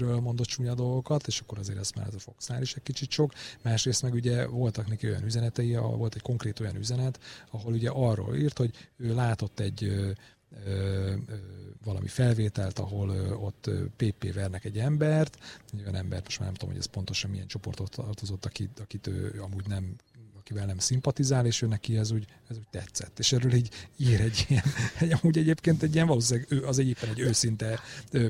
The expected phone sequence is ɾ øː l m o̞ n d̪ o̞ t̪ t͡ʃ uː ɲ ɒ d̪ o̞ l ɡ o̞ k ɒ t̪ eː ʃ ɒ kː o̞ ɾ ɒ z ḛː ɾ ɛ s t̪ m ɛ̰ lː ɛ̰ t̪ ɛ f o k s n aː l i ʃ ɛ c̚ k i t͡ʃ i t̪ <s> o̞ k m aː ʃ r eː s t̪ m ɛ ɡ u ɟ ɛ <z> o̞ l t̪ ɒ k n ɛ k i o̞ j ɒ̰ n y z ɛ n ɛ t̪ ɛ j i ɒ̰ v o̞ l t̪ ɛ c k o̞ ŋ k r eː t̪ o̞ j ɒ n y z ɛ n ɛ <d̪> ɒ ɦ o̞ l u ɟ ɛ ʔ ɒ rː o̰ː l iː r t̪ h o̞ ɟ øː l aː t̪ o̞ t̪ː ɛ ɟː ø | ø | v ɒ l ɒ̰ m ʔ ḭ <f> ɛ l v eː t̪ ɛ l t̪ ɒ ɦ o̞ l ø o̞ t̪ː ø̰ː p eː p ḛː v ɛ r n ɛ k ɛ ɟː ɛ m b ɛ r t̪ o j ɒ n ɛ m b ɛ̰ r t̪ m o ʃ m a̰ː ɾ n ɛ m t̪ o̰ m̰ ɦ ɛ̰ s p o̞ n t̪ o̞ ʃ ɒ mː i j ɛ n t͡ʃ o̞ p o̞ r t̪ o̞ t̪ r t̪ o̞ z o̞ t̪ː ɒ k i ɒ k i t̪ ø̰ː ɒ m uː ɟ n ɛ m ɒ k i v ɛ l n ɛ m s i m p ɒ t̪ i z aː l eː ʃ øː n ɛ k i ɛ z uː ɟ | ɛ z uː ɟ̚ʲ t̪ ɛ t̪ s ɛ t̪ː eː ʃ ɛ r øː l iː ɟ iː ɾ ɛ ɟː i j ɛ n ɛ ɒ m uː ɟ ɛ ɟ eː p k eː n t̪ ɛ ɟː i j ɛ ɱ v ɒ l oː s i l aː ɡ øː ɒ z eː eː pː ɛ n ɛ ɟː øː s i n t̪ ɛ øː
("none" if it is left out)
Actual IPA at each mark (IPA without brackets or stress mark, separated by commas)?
ʃ, v, t̪, f